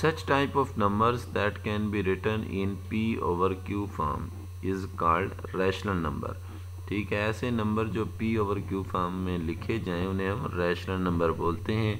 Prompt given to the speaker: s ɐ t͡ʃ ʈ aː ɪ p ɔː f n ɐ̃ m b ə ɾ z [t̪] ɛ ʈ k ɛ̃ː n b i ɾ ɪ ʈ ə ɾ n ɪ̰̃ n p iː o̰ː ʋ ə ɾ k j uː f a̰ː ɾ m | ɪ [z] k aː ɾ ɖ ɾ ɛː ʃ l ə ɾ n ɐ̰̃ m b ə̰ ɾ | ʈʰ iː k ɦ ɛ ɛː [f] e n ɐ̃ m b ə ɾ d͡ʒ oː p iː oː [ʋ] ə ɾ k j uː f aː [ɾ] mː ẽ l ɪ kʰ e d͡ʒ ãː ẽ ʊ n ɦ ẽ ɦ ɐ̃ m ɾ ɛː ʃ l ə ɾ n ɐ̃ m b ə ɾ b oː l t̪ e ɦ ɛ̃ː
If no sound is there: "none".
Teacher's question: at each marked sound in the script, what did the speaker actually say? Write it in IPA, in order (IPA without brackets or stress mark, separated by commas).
d̪, z, s, ʋ, ɾ